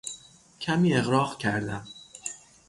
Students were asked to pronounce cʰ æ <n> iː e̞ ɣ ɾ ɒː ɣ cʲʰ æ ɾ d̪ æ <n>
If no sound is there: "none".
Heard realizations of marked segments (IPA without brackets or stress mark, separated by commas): m, m